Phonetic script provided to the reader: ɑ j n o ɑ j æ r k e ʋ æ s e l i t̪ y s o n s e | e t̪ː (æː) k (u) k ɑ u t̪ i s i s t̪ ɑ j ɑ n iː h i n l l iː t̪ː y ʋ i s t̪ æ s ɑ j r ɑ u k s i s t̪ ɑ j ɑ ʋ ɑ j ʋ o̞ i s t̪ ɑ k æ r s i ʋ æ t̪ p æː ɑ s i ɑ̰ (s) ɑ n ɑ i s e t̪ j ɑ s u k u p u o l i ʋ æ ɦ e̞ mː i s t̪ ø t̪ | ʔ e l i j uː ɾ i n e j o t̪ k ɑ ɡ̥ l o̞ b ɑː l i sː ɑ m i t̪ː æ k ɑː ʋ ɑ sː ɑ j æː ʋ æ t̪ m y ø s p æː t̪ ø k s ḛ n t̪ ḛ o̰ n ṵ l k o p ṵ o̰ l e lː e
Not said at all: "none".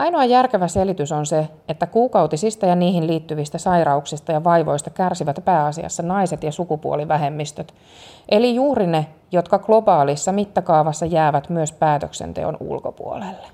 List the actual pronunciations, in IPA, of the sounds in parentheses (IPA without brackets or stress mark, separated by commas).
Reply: æ, uː, sː